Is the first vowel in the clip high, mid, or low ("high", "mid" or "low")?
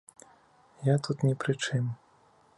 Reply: low